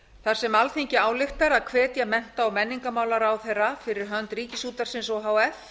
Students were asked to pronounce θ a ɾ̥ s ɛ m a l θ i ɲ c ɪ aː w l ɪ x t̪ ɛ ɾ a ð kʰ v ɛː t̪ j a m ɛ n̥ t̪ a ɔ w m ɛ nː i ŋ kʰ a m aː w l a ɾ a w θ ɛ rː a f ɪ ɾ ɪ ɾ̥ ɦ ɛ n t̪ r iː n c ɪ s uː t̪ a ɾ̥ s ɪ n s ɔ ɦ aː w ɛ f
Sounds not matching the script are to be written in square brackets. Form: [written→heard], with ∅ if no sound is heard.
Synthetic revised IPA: θ a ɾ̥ s ɛ m a l θ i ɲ c ɪ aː w l ɪ x t̪ [ɛ→a] ɾ a ð kʰ v ɛː t̪ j a m ɛ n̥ t̪ a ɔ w m ɛ nː i ŋ [kʰ→k] a m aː w l a ɾ a w θ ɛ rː a f ɪ ɾ ɪ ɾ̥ ɦ [ɛ→œ] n t̪ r iː [n→∅] c ɪ s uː t̪ a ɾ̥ s ɪ n s ɔ ɦ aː w ɛ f